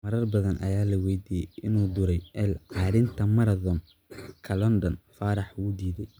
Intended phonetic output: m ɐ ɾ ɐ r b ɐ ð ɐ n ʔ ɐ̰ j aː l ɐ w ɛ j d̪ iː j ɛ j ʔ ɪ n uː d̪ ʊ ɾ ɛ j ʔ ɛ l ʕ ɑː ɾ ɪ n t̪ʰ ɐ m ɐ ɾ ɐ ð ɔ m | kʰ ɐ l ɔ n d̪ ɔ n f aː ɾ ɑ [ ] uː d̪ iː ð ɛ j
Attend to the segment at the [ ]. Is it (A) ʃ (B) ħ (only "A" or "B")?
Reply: B